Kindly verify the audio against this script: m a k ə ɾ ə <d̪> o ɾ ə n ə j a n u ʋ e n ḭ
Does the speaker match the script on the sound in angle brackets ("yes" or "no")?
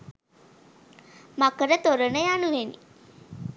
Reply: no